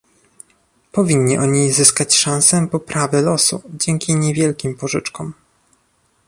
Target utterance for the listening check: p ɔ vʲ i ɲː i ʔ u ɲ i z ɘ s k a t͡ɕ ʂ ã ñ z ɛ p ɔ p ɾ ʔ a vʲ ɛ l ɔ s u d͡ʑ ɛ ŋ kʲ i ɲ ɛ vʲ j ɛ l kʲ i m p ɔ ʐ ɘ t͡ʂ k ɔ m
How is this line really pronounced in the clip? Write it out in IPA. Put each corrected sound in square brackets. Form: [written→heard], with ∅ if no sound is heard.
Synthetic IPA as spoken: p ɔ vʲ i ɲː i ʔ [u→ɔ] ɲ i z ɘ s k a t͡ɕ ʂ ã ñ [z→s] ɛ p ɔ p ɾ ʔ a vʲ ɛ l ɔ s u d͡ʑ ɛ ŋ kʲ i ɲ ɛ vʲ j ɛ l kʲ i m p ɔ ʐ ɘ t͡ʂ k ɔ m